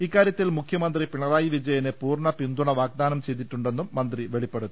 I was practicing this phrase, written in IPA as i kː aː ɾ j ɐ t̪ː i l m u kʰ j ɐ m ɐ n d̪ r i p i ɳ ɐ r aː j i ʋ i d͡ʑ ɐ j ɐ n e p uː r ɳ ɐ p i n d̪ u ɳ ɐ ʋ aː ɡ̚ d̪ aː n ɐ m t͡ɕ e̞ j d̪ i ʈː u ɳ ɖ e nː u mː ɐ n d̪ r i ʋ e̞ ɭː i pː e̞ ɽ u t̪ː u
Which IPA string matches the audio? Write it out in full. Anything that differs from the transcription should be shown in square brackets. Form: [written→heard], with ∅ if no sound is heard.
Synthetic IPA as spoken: i kː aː ɾ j ɐ t̪ː i l m u kʰ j ɐ m ɐ n d̪ r i p i ɳ ɐ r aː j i ʋ i d͡ʑ ɐ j ɐ n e p uː r ɳ ɐ p i n d̪ u ɳ ɐ ʋ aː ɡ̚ d̪ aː n ɐ m t͡ɕ e̞ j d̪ i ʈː u ɳ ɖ e nː u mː ɐ n d̪ r i ʋ e̞ [ɭː→ɭ] i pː e̞ ɽ u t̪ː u

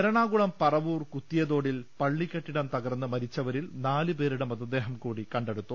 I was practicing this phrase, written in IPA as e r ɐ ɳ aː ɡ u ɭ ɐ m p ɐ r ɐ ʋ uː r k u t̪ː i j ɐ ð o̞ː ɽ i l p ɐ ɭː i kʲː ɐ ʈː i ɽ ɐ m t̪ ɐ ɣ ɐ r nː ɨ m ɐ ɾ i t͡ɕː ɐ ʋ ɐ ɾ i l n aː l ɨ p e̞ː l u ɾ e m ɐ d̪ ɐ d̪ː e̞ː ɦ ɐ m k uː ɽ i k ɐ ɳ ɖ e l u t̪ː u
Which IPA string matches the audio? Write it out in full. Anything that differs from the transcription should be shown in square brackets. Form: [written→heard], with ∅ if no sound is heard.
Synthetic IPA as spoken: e [r→ɾ] ɐ ɳ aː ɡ u ɭ ɐ m p ɐ r ɐ ʋ uː r k u t̪ː i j ɐ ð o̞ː ɽ i l p ɐ ɭː i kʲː ɐ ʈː i ɽ ɐ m t̪ ɐ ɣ ɐ r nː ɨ m ɐ ɾ i t͡ɕː ɐ ʋ ɐ ɾ i l n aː l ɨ p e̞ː [l→ɾ] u [ɾ→ɽ] e m ɐ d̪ ɐ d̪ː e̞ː ɦ ɐ m k uː ɽ i k ɐ ɳ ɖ e [l→ɽ] u t̪ː u

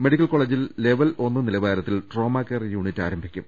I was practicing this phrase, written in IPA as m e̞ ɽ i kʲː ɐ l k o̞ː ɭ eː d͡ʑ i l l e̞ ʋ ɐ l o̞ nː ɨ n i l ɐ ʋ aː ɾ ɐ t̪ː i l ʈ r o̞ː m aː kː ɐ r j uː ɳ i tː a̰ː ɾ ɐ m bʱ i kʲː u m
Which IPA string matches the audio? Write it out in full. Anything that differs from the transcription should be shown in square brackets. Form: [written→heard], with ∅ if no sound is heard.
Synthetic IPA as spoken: m e̞ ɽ i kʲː ɐ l k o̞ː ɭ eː d͡ʑ i l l e̞ ʋ ɐ l o̞ nː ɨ n i l ɐ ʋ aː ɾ ɐ t̪ː i l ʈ r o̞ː m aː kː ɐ r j uː ɳ i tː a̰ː ɾ ɐ m bʱ i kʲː u m

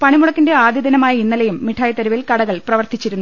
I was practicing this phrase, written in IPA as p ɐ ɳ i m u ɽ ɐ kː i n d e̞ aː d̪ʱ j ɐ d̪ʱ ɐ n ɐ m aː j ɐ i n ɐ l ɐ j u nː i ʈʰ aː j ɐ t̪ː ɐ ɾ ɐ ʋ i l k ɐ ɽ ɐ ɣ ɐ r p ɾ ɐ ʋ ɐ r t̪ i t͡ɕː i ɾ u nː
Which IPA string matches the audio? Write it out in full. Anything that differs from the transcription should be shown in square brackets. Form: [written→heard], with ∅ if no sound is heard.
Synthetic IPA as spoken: p ɐ ɳ i m u ɽ ɐ kː i n d e̞ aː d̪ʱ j ɐ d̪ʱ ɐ n ɐ m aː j ɐ i [n→nː] ɐ l ɐ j u [nː→mː] i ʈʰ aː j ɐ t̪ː ɐ ɾ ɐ ʋ i l k ɐ ɽ ɐ ɣ ɐ [r→ɭ] p [ɾ→r] ɐ ʋ ɐ r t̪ i t͡ɕː i ɾ u nː

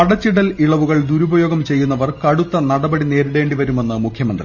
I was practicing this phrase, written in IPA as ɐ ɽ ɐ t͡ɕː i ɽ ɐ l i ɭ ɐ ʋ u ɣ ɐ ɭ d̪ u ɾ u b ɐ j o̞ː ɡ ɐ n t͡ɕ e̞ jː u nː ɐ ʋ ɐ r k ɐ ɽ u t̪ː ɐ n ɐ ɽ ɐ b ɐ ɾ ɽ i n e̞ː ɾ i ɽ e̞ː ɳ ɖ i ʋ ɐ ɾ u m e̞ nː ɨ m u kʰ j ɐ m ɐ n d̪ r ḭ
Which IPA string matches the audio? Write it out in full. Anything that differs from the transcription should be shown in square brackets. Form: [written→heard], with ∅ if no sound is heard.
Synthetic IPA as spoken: ɐ ɽ ɐ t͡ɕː i ɽ ɐ l i ɭ ɐ ʋ u ɣ ɐ ɭ d̪ u ɾ u b ɐ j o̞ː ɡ ɐ [n→m] t͡ɕ e̞ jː u nː ɐ ʋ ɐ r k ɐ ɽ u t̪ː ɐ n ɐ ɽ ɐ b ɐ [ɾ→∅] ɽ i n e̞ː ɾ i ɽ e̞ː ɳ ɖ i ʋ ɐ ɾ u m e̞ nː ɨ m u kʰ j ɐ m ɐ n d̪ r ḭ

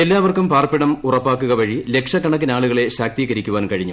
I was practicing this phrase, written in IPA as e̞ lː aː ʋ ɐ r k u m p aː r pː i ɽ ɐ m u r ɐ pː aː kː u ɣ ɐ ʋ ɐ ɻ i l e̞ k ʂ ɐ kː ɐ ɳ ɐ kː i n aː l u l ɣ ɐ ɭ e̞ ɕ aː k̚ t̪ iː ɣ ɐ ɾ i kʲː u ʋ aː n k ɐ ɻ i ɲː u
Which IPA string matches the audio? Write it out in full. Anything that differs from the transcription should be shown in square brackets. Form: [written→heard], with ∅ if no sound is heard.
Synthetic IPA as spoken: e̞ lː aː ʋ ɐ r k u m p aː r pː i ɽ ɐ m u r ɐ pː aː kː u ɣ ɐ ʋ ɐ ɻ i l e̞ k ʂ ɐ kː ɐ ɳ ɐ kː i n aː [l→ɭ] u [l→∅] ɣ ɐ ɭ e̞ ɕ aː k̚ t̪ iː ɣ ɐ ɾ i kʲː u ʋ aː n k ɐ ɻ i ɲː u

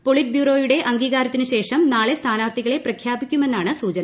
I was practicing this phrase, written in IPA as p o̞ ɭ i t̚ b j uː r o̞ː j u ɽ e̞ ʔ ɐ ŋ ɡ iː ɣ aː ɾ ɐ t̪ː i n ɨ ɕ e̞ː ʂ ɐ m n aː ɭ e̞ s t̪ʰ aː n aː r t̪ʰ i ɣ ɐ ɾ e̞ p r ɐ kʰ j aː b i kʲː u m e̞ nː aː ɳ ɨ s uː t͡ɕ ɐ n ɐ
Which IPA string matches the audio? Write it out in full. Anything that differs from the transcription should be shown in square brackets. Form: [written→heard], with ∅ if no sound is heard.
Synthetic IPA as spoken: p o̞ ɭ i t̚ b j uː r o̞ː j u ɽ e̞ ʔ ɐ ŋ ɡ iː ɣ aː ɾ ɐ t̪ː i n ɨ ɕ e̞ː ʂ ɐ m n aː ɭ e̞ s t̪ʰ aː n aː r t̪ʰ i ɣ ɐ [ɾ→ɭ] e̞ p r ɐ kʰ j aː b i kʲː u m e̞ nː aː ɳ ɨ s uː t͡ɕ ɐ n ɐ

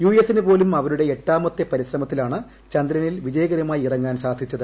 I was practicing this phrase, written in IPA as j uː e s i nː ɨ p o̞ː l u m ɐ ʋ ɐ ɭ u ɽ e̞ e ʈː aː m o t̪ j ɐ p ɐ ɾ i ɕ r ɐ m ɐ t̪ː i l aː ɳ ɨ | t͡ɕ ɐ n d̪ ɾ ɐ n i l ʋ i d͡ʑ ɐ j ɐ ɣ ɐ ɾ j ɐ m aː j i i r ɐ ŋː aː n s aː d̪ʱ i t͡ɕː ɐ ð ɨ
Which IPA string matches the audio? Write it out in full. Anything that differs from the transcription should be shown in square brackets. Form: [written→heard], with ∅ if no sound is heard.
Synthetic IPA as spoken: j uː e s i [nː→n] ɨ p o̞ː l u m ɐ ʋ ɐ [ɭ→ɾ] u ɽ e̞ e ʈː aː m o t̪ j ɐ p ɐ ɾ i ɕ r ɐ m ɐ t̪ː i l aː ɳ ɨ | t͡ɕ ɐ n d̪ ɾ ɐ n i l ʋ i d͡ʑ ɐ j ɐ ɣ ɐ ɾ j ɐ m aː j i i r ɐ ŋː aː n s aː d̪ʱ i t͡ɕː ɐ ð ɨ

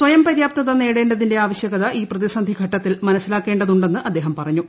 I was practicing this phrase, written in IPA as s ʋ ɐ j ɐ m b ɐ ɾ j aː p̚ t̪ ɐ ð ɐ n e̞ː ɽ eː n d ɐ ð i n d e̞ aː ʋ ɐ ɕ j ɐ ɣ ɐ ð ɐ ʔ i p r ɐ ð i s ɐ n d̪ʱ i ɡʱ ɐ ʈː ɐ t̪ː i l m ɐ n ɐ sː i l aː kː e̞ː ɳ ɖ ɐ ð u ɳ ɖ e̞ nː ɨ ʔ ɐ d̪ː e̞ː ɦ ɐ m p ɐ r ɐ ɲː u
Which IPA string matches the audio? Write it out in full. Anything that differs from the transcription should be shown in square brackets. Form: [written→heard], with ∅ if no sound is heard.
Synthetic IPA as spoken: s ʋ ɐ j ɐ m [b→p] ɐ ɾ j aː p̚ t̪ ɐ ð ɐ n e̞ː ɽ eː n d ɐ ð i n d e̞ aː ʋ ɐ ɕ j ɐ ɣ ɐ ð ɐ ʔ [i→iː] p r ɐ ð i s ɐ n d̪ʱ i ɡʱ ɐ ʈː ɐ t̪ː i l m ɐ n ɐ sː i l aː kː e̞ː ɳ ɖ ɐ ð u ɳ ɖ e̞ nː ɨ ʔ ɐ d̪ː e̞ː ɦ ɐ m p ɐ r ɐ ɲː u

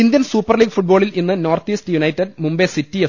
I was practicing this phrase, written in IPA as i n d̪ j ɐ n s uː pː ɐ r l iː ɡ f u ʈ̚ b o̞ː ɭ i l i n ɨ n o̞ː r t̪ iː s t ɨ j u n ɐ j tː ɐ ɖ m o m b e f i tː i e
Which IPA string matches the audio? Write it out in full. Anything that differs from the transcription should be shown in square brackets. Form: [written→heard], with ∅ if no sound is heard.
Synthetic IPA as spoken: i n d̪ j ɐ n s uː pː ɐ r l iː ɡ f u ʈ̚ b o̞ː ɭ i l i [n→nː] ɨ n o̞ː r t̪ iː s t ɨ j u n ɐ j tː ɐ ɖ m [o→u] m b e [f→s] i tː i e

